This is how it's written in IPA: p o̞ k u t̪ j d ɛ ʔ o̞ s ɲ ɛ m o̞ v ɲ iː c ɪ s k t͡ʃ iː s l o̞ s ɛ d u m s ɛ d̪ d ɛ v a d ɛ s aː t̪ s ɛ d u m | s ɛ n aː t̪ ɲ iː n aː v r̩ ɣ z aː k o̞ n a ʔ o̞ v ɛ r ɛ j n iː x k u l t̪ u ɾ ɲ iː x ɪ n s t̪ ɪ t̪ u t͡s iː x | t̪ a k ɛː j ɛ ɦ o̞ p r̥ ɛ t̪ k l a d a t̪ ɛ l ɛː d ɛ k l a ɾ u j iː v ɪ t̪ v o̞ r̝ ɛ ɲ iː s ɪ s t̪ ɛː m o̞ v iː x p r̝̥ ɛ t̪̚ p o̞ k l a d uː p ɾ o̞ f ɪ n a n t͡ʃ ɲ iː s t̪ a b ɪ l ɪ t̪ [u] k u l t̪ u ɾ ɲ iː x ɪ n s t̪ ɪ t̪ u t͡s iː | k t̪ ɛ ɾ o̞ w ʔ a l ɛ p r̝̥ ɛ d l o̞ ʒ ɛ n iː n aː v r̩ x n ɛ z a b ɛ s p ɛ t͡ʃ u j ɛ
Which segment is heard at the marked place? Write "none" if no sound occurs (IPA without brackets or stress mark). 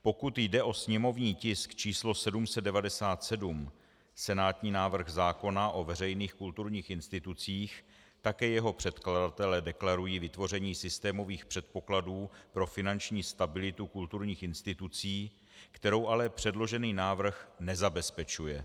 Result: u